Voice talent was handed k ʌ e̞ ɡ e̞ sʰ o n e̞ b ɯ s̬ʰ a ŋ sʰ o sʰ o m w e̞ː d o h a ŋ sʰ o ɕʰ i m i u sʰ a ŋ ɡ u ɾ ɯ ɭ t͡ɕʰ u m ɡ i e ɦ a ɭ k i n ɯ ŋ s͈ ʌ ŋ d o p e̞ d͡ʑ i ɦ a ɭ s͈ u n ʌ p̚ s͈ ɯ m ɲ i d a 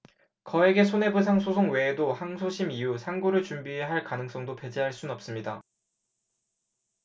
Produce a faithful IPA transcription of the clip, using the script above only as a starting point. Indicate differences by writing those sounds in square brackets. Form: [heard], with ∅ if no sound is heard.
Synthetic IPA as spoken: k ʌ e̞ ɡ e̞ sʰ o n e̞ b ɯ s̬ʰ a ŋ sʰ o sʰ o [ŋ] w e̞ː d o h a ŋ sʰ o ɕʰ i m i u sʰ a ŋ ɡ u ɾ ɯ ɭ [t͡ɕ] u m [b] i e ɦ a ɭ k [a] n ɯ ŋ s͈ ʌ ŋ d o p e̞ d͡ʑ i ɦ a ɭ s͈ u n ʌ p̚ s͈ ɯ m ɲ i d a